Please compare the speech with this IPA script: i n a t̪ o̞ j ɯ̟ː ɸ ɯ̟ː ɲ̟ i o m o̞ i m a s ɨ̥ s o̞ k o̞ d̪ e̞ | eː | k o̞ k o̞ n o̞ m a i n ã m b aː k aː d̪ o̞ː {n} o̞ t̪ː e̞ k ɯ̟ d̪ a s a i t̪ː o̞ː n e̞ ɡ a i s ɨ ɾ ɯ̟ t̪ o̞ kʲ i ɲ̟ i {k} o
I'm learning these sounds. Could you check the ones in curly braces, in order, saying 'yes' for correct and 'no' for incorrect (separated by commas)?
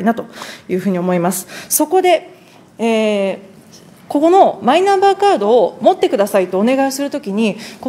no, yes